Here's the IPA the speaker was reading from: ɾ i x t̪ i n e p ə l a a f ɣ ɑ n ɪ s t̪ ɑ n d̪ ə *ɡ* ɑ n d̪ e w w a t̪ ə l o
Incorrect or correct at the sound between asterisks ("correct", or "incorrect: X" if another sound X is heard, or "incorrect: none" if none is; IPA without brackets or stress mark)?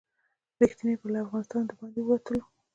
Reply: incorrect: b